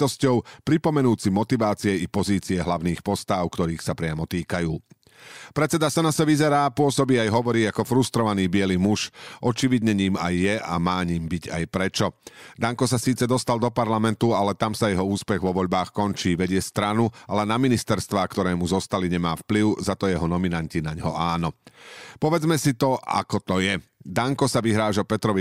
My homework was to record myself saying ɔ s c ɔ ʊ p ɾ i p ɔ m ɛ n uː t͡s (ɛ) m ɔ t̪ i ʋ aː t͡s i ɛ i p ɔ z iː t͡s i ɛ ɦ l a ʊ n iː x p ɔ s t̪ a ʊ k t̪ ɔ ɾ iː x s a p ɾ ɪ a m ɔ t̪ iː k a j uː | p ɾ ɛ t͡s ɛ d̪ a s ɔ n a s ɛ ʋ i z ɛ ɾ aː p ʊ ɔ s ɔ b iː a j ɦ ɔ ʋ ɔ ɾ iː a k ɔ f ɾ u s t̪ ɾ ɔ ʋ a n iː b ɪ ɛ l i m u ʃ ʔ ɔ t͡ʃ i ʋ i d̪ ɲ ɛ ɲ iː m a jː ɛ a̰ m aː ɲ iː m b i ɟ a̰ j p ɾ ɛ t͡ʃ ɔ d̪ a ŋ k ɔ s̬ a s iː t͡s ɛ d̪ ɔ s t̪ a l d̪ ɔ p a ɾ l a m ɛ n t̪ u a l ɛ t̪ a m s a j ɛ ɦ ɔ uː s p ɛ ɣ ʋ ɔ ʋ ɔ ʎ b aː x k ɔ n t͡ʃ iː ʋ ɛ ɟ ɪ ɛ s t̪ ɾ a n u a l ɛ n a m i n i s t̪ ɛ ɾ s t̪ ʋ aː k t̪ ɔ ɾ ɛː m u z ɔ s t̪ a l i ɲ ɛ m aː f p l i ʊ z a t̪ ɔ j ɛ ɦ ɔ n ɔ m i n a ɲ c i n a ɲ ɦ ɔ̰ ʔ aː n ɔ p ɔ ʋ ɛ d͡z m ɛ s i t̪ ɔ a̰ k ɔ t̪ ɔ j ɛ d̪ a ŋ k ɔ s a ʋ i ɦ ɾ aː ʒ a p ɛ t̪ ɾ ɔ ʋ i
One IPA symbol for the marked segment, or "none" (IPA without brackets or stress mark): i